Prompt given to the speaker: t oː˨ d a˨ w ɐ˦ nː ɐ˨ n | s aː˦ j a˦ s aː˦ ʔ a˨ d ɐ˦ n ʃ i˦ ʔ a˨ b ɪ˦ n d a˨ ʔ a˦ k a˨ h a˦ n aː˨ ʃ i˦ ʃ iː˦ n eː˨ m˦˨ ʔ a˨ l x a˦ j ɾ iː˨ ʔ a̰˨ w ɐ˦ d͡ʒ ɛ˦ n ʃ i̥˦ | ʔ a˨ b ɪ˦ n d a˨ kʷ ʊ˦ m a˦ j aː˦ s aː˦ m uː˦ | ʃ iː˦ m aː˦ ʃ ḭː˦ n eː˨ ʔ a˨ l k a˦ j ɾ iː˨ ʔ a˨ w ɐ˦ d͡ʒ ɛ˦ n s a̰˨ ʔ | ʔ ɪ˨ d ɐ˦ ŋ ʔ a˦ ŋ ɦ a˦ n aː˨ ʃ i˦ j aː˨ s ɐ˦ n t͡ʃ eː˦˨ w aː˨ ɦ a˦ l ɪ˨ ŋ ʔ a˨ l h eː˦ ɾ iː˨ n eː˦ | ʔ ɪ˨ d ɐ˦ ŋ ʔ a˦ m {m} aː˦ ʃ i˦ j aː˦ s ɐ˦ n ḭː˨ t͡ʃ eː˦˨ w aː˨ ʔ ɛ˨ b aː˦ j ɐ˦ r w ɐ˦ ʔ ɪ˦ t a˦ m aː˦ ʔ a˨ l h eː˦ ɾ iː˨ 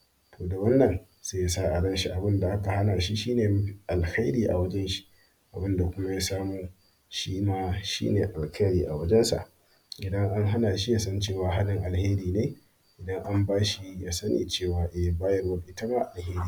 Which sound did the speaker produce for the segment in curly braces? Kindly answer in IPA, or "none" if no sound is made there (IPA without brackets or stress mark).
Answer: b